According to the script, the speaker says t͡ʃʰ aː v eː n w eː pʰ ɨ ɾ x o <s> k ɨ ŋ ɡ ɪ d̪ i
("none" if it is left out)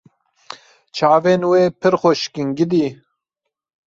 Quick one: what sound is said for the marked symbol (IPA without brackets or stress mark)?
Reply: ʃ